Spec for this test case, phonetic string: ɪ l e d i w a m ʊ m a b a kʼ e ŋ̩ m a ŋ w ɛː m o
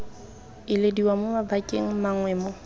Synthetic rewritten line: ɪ l e d i w a m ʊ m a b a kʼ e ŋ̩ m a ŋ w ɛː m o